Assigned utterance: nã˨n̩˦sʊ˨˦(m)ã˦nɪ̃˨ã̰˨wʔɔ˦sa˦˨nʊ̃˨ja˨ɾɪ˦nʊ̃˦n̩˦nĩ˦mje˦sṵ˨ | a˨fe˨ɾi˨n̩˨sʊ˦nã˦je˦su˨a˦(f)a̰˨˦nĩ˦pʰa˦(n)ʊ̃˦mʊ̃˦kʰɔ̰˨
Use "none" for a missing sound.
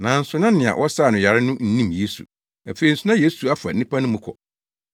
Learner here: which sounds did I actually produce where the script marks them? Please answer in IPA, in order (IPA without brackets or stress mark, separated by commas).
n, f, n